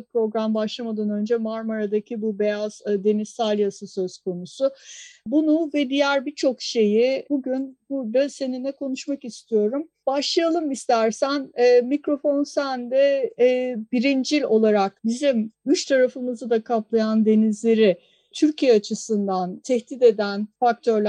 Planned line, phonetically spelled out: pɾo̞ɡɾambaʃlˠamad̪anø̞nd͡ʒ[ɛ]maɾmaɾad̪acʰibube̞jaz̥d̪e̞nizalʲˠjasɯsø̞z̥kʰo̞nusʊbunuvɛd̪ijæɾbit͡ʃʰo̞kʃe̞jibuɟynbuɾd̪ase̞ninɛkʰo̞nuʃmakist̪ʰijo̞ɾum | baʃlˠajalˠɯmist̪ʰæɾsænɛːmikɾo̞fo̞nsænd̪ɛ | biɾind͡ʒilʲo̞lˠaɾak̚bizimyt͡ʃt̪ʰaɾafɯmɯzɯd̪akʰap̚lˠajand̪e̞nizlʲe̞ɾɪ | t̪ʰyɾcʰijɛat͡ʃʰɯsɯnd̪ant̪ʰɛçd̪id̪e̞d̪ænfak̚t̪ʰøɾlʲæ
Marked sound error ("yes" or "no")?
no